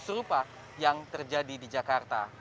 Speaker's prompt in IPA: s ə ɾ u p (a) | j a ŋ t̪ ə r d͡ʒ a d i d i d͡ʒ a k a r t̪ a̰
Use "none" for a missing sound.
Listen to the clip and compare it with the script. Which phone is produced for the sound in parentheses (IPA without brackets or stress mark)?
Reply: a